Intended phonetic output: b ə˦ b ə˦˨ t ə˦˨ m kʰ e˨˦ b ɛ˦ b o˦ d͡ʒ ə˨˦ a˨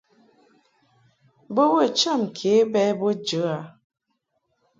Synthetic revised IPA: b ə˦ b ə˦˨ t͡ʃ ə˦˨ m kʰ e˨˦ b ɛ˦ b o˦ d͡ʒ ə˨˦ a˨